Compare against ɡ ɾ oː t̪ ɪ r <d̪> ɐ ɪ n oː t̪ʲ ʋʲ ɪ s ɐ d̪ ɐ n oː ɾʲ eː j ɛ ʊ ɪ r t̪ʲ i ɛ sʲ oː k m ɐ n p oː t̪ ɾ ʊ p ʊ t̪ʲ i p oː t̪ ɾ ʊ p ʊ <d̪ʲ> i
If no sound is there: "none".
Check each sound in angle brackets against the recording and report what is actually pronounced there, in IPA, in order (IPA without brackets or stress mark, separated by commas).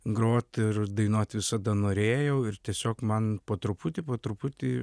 d̪, t̪ʲ